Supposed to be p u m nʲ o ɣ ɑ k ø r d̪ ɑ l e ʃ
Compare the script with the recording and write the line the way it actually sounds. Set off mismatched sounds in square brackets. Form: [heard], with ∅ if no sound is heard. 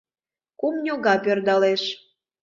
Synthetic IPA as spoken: [k] u m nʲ o ɣ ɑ [p] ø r d̪ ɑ l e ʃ